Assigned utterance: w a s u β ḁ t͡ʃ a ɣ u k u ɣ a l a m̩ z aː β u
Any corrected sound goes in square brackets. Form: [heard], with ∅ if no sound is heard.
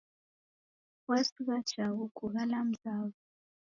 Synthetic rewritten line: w a s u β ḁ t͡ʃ a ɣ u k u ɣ a l a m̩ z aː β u